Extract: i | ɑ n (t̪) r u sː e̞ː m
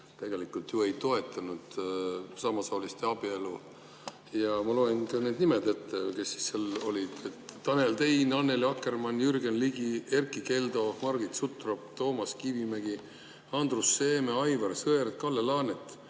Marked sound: incorrect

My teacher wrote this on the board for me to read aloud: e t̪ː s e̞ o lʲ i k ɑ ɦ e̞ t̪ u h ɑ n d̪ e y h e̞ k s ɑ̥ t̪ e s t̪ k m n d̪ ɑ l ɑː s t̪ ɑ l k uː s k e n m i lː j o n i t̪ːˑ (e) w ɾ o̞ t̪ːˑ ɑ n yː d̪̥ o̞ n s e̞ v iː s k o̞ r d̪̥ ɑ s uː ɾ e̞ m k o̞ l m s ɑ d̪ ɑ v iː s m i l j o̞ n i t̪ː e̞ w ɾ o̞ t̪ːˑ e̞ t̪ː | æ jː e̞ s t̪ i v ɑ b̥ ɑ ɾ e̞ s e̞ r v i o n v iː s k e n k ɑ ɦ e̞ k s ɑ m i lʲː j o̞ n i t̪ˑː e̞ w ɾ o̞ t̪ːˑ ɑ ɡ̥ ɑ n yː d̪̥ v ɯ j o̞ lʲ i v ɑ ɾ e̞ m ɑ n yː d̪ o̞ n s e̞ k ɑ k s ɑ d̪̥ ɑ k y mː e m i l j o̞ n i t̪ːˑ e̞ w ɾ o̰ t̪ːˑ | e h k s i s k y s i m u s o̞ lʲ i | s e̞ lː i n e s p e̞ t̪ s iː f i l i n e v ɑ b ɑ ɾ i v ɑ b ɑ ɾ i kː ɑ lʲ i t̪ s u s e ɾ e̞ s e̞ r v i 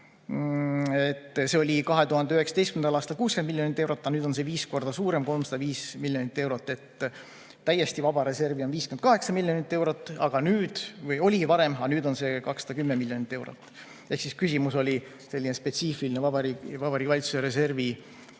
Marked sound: correct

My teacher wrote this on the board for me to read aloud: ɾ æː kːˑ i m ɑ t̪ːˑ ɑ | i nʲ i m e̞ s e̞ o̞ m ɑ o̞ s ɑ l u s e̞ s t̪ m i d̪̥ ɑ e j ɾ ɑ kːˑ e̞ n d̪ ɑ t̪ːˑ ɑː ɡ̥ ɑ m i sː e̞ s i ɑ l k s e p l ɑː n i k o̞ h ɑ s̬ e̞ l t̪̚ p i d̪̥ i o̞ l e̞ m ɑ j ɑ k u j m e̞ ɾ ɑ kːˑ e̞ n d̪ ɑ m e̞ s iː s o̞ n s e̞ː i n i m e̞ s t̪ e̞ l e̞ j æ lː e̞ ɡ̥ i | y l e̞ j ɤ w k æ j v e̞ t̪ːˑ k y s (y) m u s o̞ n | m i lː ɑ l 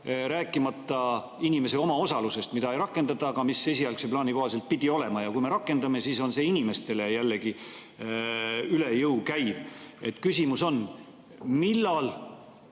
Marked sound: incorrect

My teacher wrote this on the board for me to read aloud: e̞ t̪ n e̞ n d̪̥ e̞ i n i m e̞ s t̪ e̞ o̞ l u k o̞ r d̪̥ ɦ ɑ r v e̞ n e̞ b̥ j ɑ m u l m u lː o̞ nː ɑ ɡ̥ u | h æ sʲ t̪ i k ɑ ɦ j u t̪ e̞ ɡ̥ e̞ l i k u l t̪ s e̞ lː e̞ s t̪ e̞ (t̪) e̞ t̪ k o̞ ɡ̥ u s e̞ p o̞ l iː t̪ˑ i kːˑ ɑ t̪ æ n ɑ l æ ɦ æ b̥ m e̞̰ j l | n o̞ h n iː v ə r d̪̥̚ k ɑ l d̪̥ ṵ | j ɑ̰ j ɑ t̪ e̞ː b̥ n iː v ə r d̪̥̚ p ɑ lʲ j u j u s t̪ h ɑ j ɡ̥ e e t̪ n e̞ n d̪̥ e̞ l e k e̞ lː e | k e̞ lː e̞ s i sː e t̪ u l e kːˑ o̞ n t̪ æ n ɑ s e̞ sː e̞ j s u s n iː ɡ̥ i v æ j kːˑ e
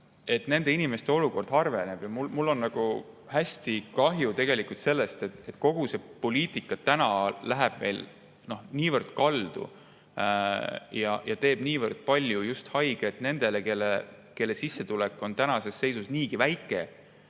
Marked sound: correct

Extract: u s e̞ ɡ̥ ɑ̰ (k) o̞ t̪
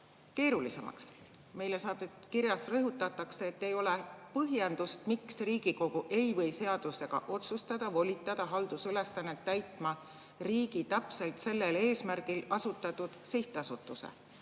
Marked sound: incorrect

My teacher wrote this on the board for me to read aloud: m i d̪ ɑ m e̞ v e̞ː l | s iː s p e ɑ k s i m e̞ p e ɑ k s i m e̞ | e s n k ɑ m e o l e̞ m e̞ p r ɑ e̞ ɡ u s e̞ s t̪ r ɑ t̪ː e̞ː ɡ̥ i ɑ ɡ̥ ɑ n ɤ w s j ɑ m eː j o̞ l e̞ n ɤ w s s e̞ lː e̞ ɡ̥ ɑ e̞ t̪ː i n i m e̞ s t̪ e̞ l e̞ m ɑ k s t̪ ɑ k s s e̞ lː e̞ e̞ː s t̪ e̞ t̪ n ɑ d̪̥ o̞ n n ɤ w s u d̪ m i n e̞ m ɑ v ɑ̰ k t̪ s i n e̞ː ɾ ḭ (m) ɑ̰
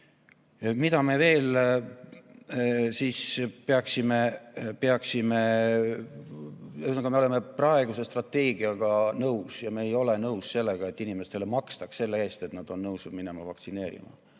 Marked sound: correct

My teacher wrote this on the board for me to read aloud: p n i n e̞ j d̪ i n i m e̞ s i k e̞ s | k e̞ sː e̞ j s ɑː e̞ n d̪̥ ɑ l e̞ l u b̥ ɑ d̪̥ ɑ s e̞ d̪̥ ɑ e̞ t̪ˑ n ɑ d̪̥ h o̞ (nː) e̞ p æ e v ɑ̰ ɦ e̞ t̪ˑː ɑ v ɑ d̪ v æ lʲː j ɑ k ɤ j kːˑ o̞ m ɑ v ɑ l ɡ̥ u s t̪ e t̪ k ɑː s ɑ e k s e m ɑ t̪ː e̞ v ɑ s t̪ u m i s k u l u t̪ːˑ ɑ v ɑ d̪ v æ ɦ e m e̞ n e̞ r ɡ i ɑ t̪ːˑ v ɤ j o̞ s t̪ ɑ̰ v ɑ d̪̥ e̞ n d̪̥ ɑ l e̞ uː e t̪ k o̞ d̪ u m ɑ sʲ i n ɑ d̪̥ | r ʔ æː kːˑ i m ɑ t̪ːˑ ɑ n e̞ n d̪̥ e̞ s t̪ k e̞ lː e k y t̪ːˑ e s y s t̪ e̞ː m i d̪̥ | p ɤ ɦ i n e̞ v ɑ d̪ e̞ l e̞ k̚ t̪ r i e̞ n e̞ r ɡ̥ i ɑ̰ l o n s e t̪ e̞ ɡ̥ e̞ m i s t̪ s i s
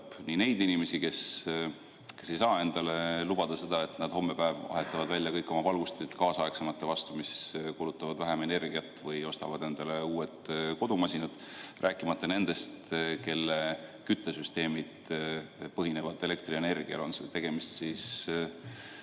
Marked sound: incorrect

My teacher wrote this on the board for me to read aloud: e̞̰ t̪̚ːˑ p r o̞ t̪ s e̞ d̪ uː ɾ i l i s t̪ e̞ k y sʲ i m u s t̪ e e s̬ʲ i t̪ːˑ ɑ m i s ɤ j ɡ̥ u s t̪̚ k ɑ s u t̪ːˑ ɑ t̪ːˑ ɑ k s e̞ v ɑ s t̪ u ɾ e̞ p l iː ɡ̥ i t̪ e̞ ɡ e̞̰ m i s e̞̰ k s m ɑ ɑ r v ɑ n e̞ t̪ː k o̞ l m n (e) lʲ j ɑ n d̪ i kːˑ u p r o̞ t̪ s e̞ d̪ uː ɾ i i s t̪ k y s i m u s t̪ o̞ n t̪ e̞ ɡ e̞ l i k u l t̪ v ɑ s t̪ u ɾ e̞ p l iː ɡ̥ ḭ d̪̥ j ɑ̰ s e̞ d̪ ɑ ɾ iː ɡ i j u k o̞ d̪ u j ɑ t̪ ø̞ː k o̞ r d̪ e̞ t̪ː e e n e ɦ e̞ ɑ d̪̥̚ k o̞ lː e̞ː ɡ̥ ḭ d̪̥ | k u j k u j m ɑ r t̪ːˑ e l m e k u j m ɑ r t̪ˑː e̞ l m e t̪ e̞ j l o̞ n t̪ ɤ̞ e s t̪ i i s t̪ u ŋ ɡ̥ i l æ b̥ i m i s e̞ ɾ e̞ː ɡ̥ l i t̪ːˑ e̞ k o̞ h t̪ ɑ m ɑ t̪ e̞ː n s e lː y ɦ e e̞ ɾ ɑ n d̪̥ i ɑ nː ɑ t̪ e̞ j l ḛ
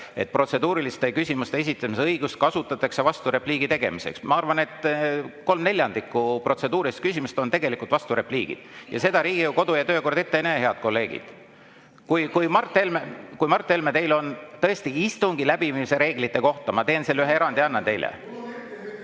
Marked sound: correct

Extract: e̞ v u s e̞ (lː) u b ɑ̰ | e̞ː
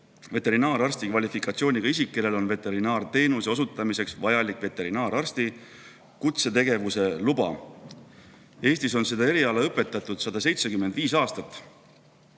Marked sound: incorrect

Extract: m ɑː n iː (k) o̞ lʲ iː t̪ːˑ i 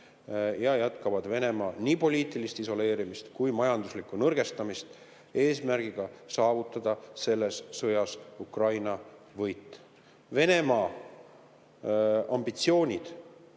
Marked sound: incorrect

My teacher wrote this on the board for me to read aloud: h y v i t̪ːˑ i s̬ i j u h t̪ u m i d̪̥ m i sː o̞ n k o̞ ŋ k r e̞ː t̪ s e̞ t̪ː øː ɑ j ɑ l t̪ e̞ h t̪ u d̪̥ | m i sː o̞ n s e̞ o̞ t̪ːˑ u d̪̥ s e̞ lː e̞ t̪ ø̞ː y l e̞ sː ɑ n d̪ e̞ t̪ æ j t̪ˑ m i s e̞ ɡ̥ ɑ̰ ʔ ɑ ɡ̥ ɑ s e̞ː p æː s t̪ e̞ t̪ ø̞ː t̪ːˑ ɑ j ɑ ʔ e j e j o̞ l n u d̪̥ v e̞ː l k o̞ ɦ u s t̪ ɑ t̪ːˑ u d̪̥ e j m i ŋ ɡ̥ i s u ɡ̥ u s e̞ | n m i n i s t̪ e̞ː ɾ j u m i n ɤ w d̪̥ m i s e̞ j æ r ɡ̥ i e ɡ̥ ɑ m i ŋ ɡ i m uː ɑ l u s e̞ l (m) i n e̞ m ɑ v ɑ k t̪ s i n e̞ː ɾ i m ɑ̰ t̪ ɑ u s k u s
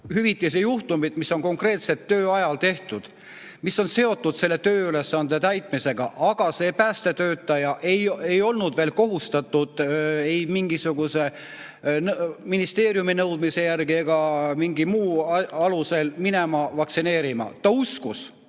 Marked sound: correct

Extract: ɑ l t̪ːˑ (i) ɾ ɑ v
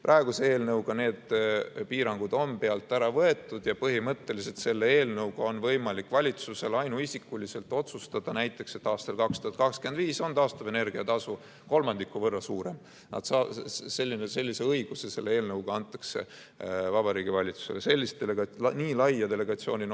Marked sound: incorrect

